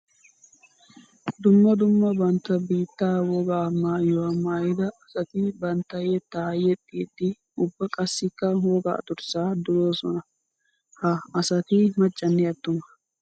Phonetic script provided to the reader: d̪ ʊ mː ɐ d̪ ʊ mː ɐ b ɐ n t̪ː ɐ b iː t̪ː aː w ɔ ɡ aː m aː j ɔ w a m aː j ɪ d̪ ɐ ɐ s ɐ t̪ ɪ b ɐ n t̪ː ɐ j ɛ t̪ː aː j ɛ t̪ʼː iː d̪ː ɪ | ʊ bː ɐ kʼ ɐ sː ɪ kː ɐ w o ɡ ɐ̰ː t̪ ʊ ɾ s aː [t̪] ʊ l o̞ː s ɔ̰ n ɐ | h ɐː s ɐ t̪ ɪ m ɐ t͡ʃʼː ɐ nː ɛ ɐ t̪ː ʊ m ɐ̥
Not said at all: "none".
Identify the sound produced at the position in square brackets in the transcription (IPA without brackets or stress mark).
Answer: d̪